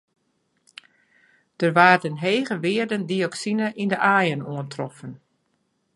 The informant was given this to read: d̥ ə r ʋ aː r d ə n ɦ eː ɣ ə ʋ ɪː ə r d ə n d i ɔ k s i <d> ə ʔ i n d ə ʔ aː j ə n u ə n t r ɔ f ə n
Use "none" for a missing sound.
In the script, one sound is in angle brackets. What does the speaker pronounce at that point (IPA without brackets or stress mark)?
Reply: n